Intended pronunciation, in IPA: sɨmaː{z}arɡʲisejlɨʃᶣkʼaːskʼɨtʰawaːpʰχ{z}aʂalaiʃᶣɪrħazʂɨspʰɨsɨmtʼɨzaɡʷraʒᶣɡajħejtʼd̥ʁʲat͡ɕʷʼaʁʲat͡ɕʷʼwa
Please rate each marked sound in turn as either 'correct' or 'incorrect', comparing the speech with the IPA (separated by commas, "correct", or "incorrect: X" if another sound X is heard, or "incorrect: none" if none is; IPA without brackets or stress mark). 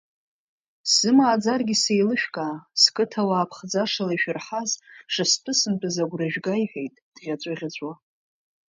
incorrect: d͡z, incorrect: d͡z